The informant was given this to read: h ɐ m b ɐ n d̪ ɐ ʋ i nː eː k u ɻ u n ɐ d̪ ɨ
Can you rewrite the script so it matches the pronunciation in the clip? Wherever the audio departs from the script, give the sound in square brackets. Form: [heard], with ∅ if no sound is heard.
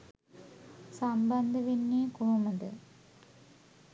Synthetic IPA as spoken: [s] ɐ m b ɐ n d̪ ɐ ʋ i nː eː k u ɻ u [m] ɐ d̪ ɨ